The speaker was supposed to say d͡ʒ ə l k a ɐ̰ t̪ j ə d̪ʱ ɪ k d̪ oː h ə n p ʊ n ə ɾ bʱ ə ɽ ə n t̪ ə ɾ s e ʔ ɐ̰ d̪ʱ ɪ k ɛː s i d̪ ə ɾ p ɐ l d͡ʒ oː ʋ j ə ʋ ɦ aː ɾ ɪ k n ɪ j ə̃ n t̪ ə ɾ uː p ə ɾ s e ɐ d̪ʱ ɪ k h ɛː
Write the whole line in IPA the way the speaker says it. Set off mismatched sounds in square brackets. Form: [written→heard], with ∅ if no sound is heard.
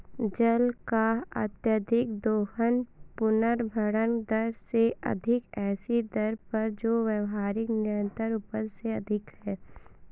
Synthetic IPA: d͡ʒ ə l k a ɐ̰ t̪ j ə d̪ʱ ɪ k d̪ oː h ə n p ʊ n ə ɾ bʱ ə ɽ ə n [t̪→d̪] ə ɾ s e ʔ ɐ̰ d̪ʱ ɪ k ɛː s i d̪ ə ɾ p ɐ [l→ɾ] d͡ʒ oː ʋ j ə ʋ ɦ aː ɾ ɪ k n ɪ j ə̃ n t̪ ə ɾ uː p ə ɾ s e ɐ d̪ʱ ɪ k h ɛː